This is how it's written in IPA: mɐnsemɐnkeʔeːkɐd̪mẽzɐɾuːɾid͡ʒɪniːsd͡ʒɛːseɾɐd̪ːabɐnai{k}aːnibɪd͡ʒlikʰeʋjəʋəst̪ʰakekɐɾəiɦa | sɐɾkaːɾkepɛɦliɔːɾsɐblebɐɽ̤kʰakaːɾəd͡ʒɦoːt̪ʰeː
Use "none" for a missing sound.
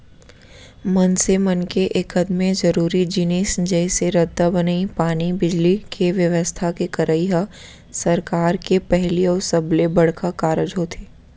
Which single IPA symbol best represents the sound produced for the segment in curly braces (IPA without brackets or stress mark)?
p